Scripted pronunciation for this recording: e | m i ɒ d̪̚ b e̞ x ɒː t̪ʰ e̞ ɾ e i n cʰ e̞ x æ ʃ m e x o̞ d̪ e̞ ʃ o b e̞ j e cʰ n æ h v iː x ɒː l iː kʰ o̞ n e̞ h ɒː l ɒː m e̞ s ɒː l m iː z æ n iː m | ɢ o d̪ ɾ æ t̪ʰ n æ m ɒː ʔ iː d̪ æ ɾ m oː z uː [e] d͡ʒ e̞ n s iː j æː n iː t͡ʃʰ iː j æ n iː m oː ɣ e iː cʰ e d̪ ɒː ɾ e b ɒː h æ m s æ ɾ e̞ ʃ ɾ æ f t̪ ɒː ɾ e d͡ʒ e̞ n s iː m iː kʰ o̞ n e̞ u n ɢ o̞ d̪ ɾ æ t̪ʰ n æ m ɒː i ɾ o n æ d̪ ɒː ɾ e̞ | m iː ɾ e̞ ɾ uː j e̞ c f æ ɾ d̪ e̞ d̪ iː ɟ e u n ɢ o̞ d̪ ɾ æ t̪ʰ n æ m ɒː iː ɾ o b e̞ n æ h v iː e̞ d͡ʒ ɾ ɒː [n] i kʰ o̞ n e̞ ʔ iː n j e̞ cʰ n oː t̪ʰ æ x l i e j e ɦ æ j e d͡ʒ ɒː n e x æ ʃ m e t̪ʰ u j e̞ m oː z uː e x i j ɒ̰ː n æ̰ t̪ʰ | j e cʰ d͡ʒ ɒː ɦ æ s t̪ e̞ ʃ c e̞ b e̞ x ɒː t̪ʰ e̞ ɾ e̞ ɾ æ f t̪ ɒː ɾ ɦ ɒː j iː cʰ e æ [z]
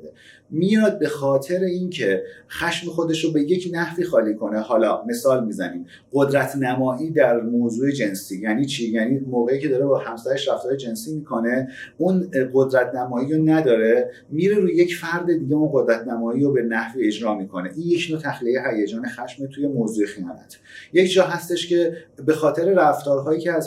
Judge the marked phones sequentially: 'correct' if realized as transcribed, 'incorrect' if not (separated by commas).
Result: correct, incorrect, correct